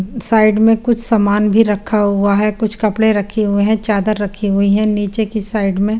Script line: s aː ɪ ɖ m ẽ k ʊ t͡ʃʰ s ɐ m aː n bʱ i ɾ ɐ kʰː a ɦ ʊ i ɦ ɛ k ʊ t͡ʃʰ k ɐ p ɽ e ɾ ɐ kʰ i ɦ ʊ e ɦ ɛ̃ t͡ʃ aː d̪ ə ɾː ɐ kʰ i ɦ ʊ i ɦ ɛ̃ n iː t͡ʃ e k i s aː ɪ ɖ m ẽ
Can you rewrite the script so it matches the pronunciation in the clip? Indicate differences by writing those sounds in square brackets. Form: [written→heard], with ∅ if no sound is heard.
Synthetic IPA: s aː ɪ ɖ m ẽ k ʊ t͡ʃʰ s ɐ m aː n bʱ i ɾ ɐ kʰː a ɦ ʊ [i→a] ɦ ɛ k ʊ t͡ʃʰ k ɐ p ɽ e ɾ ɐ kʰ i ɦ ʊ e ɦ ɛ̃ t͡ʃ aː d̪ ə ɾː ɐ kʰ i ɦ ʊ i ɦ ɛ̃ n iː t͡ʃ e k i s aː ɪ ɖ m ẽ